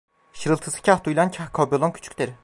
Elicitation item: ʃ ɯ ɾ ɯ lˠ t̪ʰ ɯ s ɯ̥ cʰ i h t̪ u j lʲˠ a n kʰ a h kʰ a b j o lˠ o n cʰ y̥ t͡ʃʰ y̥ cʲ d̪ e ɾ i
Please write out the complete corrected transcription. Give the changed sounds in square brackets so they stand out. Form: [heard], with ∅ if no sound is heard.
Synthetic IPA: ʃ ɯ ɾ ɯ lˠ t̪ʰ ɯ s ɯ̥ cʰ [a] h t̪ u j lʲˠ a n [cʰ] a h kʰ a b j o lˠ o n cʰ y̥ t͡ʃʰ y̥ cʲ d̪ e ɾ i

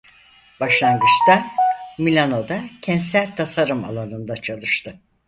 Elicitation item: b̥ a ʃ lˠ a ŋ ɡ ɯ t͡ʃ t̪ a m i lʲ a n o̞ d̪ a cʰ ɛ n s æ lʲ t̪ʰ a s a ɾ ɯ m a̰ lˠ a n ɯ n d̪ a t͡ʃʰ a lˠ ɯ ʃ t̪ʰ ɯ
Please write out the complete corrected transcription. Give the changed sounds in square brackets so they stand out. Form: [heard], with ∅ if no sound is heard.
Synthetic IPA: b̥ a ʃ lˠ a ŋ ɡ ɯ t͡ʃ t̪ a m i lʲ a n o̞ d̪ a cʰ ɛ n s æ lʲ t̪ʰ a s a ɾ ɯ m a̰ lˠ a n ɯ n d̪ a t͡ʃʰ a lˠ ɯ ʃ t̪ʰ ɯ

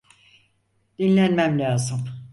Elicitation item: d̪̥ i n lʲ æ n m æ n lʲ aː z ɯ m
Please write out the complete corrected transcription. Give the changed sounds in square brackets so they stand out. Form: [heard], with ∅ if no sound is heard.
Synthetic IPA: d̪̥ i n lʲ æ n m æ [m] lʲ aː z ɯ m

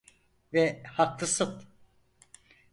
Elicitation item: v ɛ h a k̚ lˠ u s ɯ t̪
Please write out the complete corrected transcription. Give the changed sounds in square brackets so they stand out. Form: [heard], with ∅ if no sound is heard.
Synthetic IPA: v ɛ h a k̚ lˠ [ɯ] s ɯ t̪

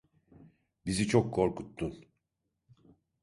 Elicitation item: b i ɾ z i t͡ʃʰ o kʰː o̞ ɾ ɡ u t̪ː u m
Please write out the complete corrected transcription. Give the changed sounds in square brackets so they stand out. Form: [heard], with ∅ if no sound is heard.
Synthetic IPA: b i [∅] z i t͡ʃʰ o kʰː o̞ ɾ [k] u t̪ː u [n]

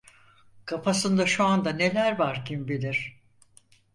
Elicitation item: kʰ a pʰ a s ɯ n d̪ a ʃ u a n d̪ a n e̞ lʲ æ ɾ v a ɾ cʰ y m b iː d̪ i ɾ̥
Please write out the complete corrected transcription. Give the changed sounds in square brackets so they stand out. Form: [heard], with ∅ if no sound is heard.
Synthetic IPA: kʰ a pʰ a s ɯ n d̪ a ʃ u a n d̪ a n e̞ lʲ æ ɾ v a ɾ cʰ [i] m b [i] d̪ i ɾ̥

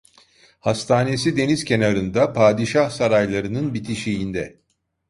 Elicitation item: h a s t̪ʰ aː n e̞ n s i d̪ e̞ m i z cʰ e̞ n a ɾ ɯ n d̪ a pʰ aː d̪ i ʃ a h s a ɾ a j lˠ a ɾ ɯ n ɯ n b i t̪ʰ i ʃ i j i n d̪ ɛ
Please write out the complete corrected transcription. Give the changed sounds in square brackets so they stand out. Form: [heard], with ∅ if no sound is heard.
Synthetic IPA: h a s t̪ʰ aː n e̞ [∅] s i d̪ e̞ [n] i z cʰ e̞ n a ɾ ɯ n d̪ a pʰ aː d̪ i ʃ a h s a ɾ a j lˠ a ɾ ɯ n ɯ n b i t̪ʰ i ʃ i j i n d̪ ɛ

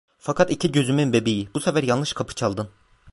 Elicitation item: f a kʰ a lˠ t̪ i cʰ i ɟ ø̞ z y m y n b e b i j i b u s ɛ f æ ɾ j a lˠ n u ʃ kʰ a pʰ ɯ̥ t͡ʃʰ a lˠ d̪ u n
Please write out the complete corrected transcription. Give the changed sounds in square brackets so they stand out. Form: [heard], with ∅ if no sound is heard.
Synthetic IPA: f a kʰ a [∅] t̪ i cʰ i ɟ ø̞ z y m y n b e b i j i b u s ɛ f æ ɾ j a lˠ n [ɯ] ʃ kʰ a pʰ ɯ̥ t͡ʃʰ a lˠ d̪ [ɯ] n

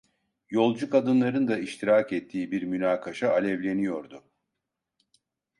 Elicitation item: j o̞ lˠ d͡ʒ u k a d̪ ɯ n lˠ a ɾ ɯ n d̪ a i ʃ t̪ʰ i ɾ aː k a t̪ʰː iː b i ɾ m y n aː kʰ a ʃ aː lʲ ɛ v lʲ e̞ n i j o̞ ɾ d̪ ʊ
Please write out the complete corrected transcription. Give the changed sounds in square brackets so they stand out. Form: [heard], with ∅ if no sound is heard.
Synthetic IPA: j o̞ lˠ d͡ʒ u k a d̪ ɯ n lˠ a ɾ ɯ n d̪ a i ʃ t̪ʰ i ɾ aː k [ɛ] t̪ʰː iː b i ɾ m y n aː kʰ a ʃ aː lʲ ɛ v lʲ e̞ n i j o̞ ɾ d̪ ʊ

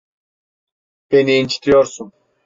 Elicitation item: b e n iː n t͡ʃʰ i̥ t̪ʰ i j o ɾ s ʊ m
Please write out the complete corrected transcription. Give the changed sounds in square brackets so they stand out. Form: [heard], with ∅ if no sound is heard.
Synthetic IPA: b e n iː n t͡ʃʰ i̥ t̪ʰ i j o ɾ s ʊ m

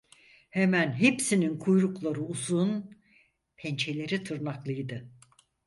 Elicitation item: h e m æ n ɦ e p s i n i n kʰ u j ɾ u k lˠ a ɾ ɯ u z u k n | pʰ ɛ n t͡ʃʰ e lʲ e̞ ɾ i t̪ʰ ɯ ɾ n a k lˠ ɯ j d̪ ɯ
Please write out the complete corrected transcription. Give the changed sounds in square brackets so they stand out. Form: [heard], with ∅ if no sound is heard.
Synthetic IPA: h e m æ n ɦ e p s i n i n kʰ u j ɾ u k lˠ a ɾ ɯ u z u [∅] n | pʰ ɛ n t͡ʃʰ e lʲ e̞ ɾ i t̪ʰ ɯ ɾ n a k lˠ ɯ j d̪ ɯ

